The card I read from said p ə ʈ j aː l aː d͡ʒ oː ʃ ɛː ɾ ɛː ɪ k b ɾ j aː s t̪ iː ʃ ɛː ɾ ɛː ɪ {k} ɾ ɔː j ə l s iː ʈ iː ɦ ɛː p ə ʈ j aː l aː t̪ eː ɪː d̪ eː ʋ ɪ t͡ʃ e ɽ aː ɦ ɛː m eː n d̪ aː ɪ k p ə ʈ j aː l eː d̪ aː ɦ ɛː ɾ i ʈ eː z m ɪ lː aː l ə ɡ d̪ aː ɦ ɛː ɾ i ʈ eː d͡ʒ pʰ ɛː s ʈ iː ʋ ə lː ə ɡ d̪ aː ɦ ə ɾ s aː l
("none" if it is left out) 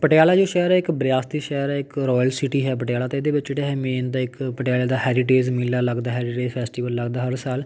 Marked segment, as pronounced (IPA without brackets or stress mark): k